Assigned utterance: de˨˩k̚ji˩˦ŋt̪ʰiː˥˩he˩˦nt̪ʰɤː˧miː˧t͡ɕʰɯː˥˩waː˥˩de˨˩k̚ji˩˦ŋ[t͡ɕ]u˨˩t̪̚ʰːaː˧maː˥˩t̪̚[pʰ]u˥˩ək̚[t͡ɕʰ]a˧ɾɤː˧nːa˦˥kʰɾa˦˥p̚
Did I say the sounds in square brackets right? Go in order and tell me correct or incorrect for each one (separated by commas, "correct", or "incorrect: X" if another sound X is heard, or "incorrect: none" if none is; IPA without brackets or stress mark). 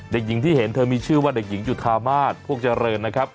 correct, correct, incorrect: t͡ɕ